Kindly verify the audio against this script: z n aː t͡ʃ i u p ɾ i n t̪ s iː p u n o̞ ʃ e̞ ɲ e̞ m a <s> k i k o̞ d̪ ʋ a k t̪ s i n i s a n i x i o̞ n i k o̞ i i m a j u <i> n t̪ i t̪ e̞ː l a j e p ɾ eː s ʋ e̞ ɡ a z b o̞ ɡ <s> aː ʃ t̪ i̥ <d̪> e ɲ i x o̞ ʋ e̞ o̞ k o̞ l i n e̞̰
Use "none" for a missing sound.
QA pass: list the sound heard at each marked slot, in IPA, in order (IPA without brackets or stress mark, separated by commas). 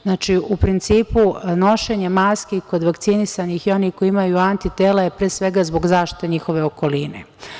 s, a, z, t̪